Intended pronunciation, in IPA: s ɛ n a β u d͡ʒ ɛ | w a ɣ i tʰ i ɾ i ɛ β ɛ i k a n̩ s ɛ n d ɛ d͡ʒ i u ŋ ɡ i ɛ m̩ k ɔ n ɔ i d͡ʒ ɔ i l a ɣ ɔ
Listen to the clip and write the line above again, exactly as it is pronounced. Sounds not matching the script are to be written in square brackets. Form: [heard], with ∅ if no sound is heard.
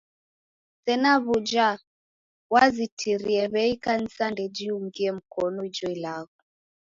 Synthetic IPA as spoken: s ɛ n a β u d͡ʒ [a] | w a [z] i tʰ i ɾ i ɛ β ɛ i k a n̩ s [a] n d ɛ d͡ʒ i u ŋ ɡ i ɛ m̩ k ɔ n ɔ i d͡ʒ ɔ i l a ɣ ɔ